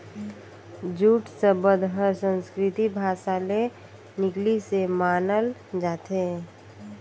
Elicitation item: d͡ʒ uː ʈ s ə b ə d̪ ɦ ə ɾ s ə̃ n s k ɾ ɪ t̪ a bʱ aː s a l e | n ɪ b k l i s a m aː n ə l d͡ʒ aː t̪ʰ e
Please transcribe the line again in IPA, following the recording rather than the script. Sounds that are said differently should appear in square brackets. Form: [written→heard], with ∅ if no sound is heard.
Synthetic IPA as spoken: d͡ʒ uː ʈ s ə b ə d̪ ɦ ə ɾ s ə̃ n s k ɾ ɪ t̪ [a→i] bʱ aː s a l e | n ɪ [b→∅] k l i s [a→e] m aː n ə l d͡ʒ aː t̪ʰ e